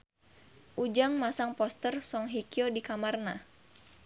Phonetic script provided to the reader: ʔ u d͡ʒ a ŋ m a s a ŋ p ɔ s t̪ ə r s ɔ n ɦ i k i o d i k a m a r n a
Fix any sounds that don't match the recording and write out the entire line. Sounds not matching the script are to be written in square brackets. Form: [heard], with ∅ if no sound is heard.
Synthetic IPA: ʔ u d͡ʒ a ŋ m a s a ŋ p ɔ s t̪ ə r s ɔ [ŋ] ɦ i k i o d i k a m a r n a